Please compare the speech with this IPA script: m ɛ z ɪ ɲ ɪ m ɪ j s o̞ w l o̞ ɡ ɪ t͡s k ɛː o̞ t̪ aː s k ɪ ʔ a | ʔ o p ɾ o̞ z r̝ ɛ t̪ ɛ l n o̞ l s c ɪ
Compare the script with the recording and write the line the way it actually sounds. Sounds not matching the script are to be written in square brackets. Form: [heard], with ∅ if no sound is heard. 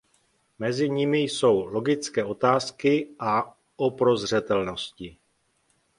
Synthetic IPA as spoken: m ɛ z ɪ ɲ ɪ m ɪ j s o̞ w l o̞ ɡ ɪ t͡s k ɛː o̞ t̪ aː s k ɪ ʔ a | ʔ o p ɾ o̞ z r̝ ɛ t̪ ɛ l n o̞ [∅] s c ɪ

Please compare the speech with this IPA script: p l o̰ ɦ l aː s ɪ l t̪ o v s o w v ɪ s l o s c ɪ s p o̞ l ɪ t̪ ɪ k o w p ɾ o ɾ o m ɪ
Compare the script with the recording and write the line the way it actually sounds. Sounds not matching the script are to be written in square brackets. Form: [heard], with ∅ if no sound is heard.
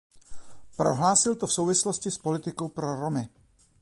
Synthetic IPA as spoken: p [ɾ] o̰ ɦ l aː s ɪ l t̪ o [f] s o w v ɪ s l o s c ɪ s p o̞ l ɪ t̪ ɪ k o w p ɾ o ɾ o m ɪ

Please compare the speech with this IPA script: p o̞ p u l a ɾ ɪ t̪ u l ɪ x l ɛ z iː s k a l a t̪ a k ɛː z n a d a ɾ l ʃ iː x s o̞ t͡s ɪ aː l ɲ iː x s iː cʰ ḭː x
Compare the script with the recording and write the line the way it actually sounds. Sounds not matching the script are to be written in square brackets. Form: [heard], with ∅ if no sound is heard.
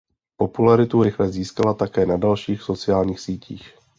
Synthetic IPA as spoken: p o̞ p u l a ɾ ɪ t̪ u [ɾ] ɪ x l ɛ z iː s k a l a t̪ a k ɛː [∅] n a d a [∅] l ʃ iː x s o̞ t͡s ɪ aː l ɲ iː x s iː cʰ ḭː x

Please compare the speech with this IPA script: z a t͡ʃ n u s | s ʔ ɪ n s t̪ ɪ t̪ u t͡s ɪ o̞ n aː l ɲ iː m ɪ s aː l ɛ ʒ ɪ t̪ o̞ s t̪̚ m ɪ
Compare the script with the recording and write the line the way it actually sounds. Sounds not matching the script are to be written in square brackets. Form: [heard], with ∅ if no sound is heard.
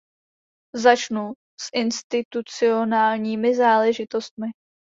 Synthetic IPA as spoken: z a t͡ʃ n u [∅] | s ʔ ɪ n s t̪ ɪ t̪ u t͡s ɪ o̞ n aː l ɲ iː m ɪ [z] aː l ɛ ʒ ɪ t̪ o̞ s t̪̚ m ɪ

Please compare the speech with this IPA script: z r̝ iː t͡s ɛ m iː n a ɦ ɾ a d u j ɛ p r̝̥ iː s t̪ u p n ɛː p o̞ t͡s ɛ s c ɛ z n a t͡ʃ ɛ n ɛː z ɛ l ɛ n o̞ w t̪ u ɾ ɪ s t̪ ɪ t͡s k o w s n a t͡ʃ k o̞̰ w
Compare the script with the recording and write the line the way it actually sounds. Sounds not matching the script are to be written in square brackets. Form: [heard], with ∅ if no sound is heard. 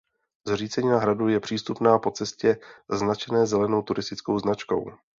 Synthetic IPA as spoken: z r̝ iː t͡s ɛ [ɲ] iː n a ɦ ɾ a d u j ɛ p r̝̥ iː s t̪ u p n [aː] p o̞ t͡s ɛ s c ɛ z n a t͡ʃ ɛ n ɛː z ɛ l ɛ n o̞ w t̪ u ɾ ɪ s t̪ ɪ t͡s k o w [z] n a t͡ʃ k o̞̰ w

